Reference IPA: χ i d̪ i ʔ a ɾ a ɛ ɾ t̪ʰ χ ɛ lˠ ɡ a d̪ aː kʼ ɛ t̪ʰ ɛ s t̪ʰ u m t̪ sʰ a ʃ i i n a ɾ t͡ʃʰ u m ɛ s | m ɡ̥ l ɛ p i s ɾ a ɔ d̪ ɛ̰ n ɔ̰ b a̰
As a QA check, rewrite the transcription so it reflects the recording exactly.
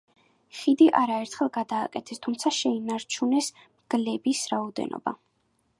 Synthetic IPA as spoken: χ i d̪ i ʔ a ɾ a ɛ ɾ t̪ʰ χ ɛ lˠ ɡ a d̪ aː kʼ ɛ t̪ʰ ɛ s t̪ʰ u m t̪ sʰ a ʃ ɛ i n a ɾ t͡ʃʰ u n ɛ s | m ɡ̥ l ɛ b i s ɾ a ɔ d̪ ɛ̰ n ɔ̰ b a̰